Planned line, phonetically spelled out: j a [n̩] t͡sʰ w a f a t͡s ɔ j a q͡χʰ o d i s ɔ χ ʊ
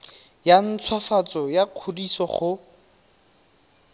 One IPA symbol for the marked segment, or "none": n̩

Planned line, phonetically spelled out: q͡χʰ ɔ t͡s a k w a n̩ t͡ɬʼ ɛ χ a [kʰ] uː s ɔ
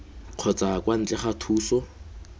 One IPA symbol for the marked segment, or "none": tʰ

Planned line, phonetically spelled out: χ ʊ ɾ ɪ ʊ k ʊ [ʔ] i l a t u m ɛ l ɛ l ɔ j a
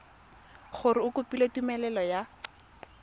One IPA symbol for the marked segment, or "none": p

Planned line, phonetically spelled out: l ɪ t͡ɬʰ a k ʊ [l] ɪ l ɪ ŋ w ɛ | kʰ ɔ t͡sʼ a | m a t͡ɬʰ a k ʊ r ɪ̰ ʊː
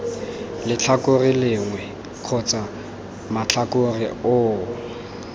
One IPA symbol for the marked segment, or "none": r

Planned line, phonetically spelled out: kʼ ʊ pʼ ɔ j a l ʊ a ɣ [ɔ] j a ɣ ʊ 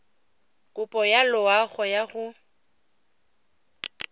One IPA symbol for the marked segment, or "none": ɔ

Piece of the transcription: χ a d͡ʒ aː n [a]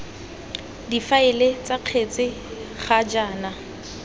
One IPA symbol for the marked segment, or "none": a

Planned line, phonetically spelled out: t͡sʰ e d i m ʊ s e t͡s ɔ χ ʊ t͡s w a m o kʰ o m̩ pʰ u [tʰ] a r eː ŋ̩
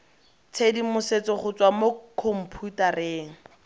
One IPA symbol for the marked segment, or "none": t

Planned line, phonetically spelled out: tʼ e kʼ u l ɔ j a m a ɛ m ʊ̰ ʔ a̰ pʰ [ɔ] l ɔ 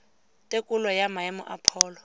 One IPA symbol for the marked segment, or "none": ɔː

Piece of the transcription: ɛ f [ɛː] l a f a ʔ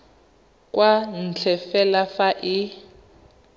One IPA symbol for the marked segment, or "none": ɛ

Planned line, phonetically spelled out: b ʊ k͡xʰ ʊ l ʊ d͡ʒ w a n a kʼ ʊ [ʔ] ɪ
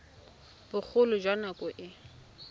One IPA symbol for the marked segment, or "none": ʔ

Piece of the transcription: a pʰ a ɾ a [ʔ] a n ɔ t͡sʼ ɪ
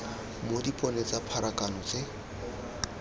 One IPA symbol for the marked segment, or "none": k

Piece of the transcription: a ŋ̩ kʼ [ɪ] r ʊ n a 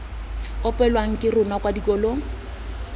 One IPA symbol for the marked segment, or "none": ɪ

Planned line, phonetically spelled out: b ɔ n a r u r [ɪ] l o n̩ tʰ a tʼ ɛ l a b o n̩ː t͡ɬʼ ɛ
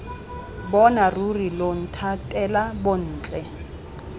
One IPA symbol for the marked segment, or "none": i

